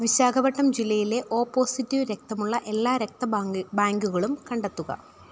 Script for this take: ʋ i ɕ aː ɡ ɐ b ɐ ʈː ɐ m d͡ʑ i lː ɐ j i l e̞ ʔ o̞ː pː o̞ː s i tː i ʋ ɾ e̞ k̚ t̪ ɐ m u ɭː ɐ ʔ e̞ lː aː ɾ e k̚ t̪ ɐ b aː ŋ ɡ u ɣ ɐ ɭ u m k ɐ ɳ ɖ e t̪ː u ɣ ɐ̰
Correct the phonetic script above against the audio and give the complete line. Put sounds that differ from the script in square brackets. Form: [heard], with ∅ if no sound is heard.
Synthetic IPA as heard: ʋ i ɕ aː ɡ ɐ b ɐ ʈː ɐ m d͡ʑ i lː ɐ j i l e̞ ʔ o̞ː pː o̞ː s i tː i ʋ ɾ e̞ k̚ t̪ ɐ m u ɭː ɐ ʔ e̞ lː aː ɾ e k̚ t̪ ɐ b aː ŋ ɡ u ɣ ɐ ɭ u m k ɐ ɳ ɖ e t̪ː u ɣ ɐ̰